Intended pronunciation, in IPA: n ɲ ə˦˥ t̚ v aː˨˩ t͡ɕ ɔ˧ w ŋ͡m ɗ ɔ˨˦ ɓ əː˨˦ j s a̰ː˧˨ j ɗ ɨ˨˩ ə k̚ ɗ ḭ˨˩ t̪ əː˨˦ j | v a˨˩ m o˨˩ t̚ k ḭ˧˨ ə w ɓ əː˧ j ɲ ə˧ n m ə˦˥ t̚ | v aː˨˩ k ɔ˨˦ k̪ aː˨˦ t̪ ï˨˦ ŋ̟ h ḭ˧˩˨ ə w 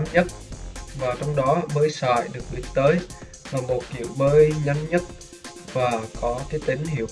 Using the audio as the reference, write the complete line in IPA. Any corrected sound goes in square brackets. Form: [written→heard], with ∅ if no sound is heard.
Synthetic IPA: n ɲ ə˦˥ t̚ v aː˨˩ t͡ɕ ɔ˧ w ŋ͡m ɗ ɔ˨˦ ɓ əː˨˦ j s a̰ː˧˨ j ɗ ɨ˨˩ ə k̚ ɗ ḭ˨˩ t̪ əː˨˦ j | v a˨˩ m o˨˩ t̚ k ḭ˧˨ ə w ɓ əː˧ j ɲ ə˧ n [m→ɲ] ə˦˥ t̚ | v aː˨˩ k ɔ˨˦ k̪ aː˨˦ t̪ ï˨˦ ŋ̟ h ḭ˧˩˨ ə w